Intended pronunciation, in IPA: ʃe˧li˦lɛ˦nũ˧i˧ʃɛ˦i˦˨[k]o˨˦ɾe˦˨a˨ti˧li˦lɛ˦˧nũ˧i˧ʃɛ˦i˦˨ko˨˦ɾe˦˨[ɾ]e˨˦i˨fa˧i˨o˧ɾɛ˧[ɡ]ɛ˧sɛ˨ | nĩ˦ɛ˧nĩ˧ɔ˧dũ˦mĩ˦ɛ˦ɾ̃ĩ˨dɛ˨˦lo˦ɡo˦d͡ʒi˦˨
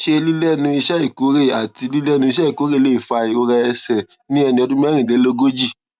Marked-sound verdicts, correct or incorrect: correct, incorrect, incorrect

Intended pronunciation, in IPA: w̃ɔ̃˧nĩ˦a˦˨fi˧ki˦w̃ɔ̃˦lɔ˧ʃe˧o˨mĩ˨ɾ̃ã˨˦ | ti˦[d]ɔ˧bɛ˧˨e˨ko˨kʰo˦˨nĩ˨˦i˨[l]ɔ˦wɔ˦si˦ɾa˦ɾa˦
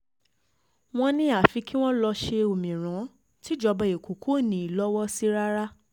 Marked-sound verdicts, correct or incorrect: incorrect, correct

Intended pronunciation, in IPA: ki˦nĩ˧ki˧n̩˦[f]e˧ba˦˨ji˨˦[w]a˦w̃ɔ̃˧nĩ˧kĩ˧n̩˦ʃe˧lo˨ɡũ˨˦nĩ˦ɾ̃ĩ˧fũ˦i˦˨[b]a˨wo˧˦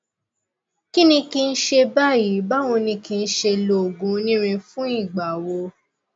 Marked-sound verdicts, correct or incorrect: incorrect, incorrect, incorrect

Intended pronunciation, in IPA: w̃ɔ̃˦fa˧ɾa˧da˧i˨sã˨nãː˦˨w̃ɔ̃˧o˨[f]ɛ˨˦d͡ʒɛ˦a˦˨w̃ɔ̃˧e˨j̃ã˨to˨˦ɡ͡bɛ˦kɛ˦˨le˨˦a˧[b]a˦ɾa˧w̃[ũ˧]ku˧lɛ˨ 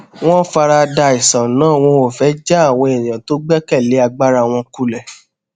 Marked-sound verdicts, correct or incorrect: correct, incorrect, incorrect

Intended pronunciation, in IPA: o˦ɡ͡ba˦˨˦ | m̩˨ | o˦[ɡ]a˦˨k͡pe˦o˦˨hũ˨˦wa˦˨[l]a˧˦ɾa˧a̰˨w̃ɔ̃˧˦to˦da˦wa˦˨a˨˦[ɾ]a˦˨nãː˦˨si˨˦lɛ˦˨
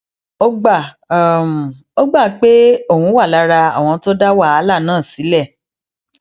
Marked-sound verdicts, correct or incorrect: incorrect, correct, incorrect

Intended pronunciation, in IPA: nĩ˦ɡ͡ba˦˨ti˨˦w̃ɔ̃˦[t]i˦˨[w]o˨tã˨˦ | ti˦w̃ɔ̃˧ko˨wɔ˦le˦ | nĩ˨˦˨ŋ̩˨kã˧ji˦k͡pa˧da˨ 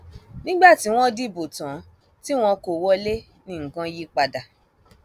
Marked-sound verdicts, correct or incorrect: incorrect, incorrect

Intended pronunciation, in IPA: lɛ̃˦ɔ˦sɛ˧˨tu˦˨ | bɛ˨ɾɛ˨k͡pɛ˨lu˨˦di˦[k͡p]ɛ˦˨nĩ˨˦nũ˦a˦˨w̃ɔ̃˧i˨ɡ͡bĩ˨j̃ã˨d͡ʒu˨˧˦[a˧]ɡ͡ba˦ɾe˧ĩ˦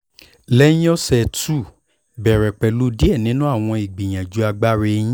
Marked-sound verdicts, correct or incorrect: incorrect, correct

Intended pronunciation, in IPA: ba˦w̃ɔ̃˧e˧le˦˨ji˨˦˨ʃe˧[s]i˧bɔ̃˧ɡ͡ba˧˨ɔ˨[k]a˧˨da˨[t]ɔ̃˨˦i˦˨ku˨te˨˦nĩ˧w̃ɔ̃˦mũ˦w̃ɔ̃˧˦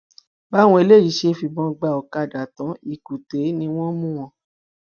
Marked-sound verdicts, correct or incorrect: incorrect, correct, correct

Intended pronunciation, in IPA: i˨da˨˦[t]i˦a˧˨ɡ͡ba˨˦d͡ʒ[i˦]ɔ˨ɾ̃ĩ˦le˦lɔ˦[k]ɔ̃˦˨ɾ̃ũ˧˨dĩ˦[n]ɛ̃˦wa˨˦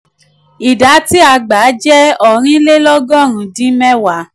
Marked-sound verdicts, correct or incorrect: correct, incorrect, incorrect, incorrect

